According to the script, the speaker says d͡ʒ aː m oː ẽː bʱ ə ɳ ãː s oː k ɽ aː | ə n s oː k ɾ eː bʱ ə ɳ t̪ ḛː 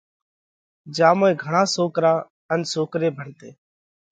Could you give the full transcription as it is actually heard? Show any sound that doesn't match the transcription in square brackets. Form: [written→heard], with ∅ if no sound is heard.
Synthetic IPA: d͡ʒ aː m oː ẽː [bʱ→ɡʱ] ə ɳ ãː s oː k [ɽ→ɾ] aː | ə n s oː k ɾ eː bʱ ə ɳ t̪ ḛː